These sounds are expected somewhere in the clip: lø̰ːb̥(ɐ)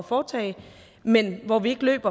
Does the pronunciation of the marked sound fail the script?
no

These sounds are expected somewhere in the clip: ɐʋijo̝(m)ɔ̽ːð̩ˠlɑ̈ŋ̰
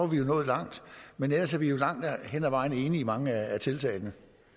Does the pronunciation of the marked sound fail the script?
yes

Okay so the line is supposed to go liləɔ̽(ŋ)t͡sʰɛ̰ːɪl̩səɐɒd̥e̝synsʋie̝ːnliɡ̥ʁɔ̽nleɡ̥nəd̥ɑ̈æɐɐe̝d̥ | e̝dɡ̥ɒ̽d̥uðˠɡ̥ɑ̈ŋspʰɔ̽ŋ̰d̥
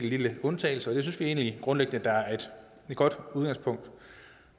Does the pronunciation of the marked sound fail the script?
yes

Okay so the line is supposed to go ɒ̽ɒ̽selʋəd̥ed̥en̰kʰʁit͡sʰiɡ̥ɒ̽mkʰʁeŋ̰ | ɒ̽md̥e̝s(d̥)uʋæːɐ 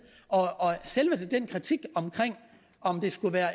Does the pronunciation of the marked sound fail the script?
yes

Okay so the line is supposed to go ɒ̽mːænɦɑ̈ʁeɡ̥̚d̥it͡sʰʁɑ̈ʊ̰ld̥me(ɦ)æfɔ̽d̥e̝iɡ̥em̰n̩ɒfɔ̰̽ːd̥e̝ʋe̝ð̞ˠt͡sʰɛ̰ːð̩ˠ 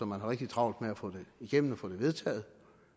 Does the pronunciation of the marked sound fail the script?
yes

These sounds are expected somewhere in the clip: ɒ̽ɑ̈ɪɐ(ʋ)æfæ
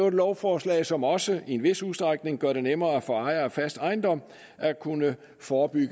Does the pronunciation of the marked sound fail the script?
yes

